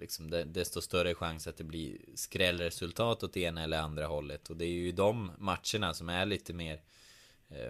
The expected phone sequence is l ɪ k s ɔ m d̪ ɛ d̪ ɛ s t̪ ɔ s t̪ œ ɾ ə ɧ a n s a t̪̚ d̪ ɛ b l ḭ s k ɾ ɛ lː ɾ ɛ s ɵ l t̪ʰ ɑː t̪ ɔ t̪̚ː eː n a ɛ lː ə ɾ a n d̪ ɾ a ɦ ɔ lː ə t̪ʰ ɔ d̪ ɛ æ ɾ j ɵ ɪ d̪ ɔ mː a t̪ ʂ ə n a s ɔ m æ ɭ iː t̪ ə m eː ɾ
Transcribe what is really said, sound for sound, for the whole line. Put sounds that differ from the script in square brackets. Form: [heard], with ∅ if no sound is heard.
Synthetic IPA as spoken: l ɪ k s ɔ m d̪ ɛ d̪ ɛ s t̪ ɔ s t̪ œ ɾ ə ɧ a [ŋ] s a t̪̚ d̪ ɛ b l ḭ s k ɾ ɛ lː ɾ ɛ s ɵ l t̪ʰ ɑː t̪ ɔ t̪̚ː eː n a ɛ lː ə ɾ a n d̪ ɾ a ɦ ɔ lː ə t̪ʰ ɔ d̪ ɛ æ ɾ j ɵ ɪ d̪ ɔ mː a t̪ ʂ ə [ɳ] a s ɔ m æ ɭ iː t̪ ə m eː ɾ